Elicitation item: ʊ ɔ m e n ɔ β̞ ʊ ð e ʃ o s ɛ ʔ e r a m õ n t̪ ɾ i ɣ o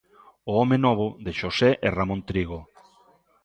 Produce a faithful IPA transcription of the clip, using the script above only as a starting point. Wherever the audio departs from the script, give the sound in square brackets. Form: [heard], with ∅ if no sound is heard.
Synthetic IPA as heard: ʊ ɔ m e n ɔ β̞ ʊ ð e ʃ o s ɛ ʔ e r a m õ n t̪ ɾ i ɣ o